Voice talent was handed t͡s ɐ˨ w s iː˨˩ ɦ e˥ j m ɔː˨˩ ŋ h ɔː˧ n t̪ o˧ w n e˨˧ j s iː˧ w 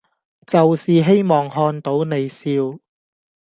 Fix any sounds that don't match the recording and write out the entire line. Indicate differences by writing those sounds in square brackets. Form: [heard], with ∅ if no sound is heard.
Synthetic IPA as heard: t͡s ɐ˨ w s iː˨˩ ɦ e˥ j m ɔː˨˩ ŋ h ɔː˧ n t̪ [o˨˥] w n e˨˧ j s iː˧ w